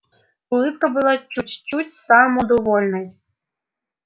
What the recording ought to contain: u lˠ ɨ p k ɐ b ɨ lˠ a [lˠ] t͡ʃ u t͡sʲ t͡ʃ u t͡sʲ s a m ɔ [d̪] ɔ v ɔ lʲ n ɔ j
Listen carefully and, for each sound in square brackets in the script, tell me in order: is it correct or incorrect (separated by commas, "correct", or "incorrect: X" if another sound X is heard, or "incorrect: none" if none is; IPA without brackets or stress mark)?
incorrect: none, correct